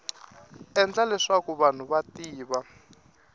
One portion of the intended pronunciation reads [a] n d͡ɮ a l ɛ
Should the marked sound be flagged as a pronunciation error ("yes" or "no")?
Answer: yes